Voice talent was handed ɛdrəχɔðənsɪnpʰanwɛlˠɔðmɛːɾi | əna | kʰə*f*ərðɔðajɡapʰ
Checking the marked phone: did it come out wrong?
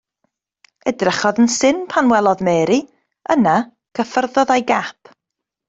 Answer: no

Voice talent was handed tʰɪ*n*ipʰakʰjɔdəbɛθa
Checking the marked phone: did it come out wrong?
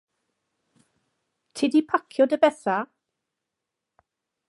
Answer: yes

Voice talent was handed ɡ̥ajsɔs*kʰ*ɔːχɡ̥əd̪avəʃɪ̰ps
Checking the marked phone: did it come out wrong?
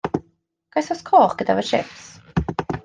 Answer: no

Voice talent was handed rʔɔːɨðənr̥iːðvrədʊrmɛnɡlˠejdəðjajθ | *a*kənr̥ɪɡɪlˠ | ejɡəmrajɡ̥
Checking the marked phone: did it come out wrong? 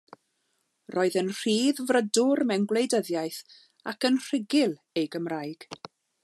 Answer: no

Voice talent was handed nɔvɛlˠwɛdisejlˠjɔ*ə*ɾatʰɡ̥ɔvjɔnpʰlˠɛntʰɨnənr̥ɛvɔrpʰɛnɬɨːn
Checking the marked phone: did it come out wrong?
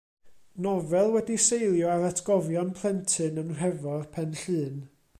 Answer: yes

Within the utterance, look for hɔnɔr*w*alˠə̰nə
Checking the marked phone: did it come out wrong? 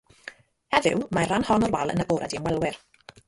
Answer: no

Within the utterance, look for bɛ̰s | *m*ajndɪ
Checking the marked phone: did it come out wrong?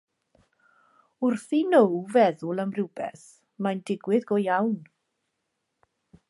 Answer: no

